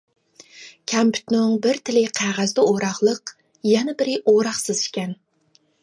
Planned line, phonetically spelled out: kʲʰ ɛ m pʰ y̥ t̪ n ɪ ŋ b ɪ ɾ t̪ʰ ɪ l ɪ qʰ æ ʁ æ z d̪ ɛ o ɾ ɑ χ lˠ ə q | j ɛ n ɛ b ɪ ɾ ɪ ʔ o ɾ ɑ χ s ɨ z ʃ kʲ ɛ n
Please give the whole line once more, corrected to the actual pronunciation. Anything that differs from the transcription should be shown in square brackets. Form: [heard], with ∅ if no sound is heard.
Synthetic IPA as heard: kʲʰ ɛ m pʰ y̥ t̪ n ɪ ŋ b ɪ ɾ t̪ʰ ɪ l ɪ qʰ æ ʁ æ z d̪ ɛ o ɾ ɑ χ lˠ ə q | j ɛ n ɛ b ɪ ɾ ɪ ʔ o ɾ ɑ χ s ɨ z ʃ kʲ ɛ n